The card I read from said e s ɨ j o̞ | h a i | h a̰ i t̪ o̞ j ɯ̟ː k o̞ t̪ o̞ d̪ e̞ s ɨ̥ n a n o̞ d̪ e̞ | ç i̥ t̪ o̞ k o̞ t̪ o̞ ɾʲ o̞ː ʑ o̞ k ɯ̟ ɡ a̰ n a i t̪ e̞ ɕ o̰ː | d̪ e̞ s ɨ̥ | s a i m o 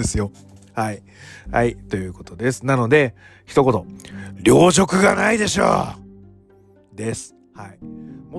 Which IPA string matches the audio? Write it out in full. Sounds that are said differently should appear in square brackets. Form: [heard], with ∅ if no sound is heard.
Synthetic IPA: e s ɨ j o̞ | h a i | h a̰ i t̪ o̞ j ɯ̟ː k o̞ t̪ o̞ d̪ e̞ s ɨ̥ n a n o̞ d̪ e̞ | ç i̥ t̪ o̞ k o̞ t̪ o̞ ɾʲ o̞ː ʑ o̞ k ɯ̟ ɡ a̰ n a i [d̪] e̞ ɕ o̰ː | d̪ e̞ s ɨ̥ | [h] a i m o